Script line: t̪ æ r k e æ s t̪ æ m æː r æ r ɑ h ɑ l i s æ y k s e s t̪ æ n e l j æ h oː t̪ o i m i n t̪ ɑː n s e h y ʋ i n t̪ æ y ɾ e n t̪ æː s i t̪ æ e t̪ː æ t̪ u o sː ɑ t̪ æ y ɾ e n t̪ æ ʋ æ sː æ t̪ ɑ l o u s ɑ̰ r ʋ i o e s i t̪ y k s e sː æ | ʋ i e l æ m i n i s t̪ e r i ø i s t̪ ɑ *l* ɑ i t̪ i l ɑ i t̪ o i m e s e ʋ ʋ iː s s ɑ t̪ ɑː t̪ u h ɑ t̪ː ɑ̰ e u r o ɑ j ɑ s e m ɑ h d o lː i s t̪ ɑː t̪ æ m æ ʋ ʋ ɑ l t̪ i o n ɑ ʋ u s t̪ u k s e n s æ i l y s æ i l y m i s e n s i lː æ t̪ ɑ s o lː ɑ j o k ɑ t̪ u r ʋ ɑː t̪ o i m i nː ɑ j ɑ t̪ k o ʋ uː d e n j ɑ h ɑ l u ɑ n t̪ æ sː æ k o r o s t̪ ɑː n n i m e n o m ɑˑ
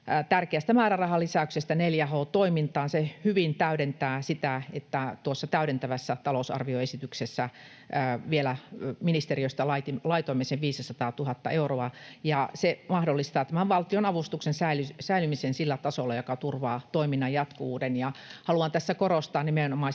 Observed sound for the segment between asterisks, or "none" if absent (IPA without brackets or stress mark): l